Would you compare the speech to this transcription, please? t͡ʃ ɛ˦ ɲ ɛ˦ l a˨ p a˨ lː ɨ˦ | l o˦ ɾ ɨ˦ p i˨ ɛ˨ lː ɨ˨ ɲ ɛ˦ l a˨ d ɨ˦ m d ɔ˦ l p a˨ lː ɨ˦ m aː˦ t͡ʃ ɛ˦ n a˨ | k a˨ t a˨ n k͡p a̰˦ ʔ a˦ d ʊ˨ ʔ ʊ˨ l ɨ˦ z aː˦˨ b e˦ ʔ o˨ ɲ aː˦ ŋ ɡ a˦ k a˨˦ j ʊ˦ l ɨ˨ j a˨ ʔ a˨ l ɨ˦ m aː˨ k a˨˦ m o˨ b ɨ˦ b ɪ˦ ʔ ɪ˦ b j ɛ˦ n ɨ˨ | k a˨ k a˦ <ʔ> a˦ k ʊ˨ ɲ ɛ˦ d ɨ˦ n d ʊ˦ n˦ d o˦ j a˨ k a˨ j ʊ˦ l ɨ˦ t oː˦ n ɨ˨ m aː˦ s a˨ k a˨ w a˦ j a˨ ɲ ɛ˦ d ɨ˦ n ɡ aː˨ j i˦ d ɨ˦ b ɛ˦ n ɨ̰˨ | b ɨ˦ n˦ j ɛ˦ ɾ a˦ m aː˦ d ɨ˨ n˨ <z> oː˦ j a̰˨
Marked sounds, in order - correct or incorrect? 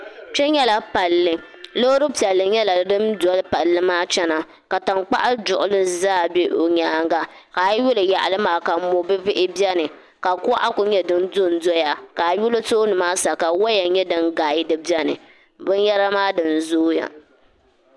correct, correct

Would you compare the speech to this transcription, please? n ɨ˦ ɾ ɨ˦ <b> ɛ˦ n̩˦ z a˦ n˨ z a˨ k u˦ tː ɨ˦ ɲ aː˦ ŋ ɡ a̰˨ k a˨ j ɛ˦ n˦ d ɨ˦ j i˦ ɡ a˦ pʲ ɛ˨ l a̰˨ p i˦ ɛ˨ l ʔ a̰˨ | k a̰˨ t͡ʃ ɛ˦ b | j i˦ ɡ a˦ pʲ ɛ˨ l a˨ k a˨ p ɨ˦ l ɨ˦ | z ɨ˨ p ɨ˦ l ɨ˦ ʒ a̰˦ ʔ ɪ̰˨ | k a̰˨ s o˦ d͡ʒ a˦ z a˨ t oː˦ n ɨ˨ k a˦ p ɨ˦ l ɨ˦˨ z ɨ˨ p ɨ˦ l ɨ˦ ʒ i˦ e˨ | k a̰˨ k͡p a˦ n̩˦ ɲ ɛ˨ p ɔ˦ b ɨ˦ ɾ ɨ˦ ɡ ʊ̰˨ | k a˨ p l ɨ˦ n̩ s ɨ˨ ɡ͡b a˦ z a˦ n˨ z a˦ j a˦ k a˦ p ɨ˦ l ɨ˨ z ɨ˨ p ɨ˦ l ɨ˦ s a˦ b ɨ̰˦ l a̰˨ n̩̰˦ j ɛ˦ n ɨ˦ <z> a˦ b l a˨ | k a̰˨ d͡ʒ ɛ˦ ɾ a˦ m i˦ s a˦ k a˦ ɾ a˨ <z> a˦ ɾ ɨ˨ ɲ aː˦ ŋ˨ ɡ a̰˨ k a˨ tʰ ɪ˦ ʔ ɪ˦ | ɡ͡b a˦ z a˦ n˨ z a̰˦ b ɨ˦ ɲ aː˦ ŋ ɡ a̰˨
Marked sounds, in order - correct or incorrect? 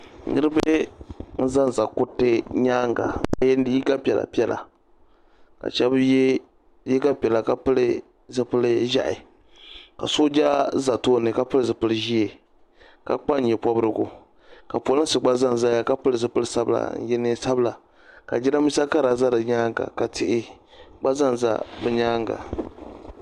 correct, incorrect: s, correct

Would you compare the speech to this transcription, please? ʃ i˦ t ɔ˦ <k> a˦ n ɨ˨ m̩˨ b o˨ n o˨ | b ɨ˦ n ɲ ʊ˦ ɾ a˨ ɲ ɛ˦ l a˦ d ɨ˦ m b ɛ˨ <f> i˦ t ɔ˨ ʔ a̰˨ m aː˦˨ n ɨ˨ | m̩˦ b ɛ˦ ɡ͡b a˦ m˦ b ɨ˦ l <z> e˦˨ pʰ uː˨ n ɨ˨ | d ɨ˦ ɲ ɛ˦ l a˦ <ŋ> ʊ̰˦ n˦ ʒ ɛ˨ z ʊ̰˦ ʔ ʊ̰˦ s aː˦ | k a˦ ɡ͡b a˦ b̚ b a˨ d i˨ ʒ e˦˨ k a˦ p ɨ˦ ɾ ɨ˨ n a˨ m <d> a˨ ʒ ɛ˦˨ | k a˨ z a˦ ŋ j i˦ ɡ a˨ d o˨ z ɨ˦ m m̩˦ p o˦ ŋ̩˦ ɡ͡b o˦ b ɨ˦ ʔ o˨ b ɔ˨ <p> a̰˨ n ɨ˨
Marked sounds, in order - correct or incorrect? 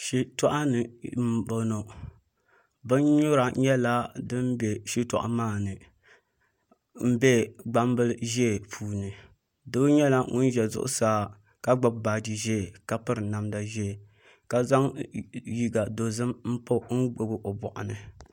incorrect: ʔ, incorrect: ʃ, incorrect: ʒ, correct, correct, incorrect: ʔ

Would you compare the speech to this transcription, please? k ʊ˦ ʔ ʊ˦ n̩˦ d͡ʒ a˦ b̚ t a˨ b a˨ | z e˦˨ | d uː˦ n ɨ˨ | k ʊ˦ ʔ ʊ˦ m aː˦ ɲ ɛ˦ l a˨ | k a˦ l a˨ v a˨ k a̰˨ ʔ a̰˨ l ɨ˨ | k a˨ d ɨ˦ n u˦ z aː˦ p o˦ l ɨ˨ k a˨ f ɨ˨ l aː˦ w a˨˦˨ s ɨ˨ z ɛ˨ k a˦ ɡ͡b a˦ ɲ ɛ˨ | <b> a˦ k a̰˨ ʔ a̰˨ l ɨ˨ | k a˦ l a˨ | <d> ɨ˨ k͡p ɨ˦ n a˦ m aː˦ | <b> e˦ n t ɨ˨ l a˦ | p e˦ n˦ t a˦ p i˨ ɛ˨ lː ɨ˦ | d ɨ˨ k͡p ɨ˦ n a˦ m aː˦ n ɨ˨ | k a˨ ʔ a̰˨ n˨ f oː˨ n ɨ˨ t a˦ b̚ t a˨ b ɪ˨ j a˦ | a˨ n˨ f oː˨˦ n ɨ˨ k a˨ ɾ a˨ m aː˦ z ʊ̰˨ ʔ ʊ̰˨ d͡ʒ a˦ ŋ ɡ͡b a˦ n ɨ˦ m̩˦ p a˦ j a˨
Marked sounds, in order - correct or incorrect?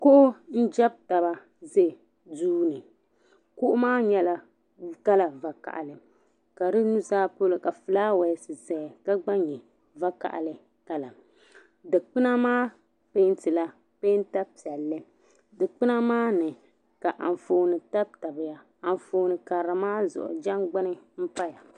incorrect: v, correct, incorrect: p

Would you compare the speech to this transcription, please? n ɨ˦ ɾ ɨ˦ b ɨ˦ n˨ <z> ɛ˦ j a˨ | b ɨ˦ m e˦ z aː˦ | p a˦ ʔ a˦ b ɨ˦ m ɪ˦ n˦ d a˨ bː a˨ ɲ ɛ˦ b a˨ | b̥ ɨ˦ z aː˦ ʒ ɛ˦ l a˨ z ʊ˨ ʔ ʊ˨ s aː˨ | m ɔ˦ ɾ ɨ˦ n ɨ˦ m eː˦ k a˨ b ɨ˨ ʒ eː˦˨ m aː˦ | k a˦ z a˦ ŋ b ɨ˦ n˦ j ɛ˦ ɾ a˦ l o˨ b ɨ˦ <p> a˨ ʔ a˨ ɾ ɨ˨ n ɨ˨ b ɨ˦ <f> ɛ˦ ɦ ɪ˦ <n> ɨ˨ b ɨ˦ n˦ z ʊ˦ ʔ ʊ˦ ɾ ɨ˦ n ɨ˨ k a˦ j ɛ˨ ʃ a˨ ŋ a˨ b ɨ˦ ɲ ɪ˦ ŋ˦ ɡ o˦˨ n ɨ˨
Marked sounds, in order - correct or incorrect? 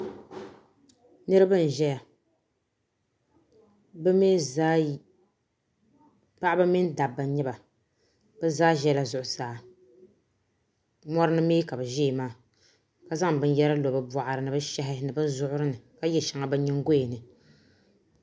incorrect: ʒ, incorrect: b, incorrect: ʃ, correct

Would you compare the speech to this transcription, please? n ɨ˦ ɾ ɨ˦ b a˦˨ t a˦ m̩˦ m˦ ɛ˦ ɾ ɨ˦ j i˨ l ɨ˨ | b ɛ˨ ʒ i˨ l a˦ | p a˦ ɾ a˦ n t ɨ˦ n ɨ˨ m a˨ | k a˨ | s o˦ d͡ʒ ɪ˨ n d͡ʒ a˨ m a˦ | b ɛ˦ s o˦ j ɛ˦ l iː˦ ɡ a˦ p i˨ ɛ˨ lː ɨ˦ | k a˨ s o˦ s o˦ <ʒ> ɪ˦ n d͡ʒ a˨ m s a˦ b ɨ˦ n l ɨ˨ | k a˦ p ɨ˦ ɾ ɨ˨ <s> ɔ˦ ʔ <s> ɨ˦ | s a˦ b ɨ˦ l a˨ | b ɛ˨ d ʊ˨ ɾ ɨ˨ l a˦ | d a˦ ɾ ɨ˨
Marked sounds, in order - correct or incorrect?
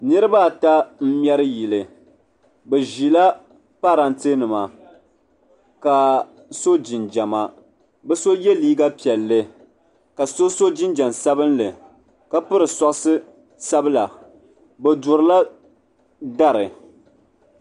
incorrect: d͡ʒ, correct, correct

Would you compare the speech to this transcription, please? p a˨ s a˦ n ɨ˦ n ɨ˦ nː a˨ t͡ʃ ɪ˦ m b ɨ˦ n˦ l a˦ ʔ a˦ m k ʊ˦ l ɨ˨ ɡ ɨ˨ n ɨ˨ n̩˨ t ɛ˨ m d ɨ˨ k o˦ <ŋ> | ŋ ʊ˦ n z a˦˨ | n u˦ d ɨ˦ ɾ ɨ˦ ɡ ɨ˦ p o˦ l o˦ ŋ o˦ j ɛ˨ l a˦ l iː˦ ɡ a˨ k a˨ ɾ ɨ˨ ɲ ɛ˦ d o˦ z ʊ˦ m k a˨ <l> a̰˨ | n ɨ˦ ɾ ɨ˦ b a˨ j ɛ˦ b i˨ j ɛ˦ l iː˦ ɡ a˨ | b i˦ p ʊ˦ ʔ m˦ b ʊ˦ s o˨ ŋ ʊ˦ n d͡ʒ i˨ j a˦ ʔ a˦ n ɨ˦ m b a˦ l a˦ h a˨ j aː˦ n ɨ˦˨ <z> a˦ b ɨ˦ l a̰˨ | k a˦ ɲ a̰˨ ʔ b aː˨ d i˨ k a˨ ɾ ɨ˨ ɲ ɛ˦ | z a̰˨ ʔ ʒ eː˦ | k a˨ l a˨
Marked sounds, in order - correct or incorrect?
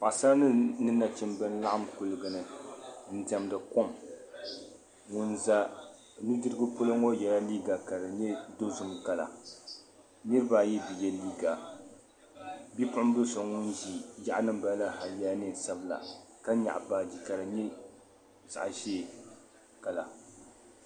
incorrect: m, correct, incorrect: s

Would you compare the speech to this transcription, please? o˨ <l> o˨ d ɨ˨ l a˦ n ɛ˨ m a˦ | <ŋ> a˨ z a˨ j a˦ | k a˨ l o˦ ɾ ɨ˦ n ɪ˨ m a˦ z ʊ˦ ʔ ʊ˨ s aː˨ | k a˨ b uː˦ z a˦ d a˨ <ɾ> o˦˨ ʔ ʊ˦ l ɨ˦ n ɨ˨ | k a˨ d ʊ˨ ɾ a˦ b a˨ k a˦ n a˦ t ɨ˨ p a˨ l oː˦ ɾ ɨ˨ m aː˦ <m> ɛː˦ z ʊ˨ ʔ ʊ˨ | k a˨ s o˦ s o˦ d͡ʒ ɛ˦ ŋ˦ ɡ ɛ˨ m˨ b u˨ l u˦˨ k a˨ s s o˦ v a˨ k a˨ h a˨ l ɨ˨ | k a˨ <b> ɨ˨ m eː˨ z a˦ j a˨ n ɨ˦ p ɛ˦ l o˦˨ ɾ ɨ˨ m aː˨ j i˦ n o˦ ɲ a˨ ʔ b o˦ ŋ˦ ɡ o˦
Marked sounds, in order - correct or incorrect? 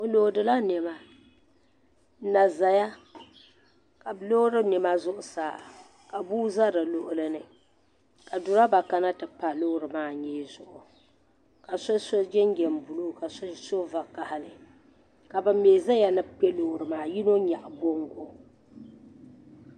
correct, incorrect: n, incorrect: l, incorrect: ɲ, correct

